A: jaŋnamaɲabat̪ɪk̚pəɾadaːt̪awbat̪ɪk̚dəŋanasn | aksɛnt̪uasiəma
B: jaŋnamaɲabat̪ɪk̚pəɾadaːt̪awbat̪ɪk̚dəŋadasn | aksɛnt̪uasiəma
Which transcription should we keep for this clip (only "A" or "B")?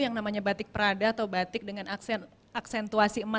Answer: A